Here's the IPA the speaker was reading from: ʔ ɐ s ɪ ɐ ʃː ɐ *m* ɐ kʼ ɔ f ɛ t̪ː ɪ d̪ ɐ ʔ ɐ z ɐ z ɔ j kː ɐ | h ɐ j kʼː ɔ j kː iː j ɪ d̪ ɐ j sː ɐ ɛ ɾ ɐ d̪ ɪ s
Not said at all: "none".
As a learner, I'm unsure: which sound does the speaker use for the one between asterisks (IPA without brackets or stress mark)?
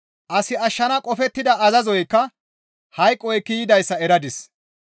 n